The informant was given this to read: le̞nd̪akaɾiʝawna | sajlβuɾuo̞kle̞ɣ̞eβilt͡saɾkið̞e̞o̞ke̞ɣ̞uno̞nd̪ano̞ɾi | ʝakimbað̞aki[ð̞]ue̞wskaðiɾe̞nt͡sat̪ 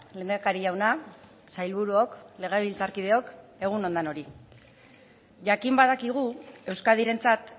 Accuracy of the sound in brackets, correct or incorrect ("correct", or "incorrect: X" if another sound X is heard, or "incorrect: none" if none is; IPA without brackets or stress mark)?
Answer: incorrect: ɣ̞